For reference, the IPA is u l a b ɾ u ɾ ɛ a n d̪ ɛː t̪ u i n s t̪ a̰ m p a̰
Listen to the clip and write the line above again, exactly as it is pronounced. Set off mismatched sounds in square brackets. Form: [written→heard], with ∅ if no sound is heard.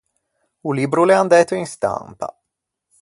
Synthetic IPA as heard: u l [a→i] b ɾ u [ɾ→l] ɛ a n d̪ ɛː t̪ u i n s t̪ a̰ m p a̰